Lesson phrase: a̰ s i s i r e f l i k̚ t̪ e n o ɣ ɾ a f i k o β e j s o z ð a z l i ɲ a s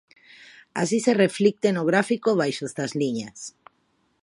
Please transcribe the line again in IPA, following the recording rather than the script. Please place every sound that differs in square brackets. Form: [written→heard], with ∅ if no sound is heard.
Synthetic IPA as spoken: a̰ s i s [i→e] r e f l i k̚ t̪ e n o ɣ ɾ a f i k o β [e→a] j [s→ʃ] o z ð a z l i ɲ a s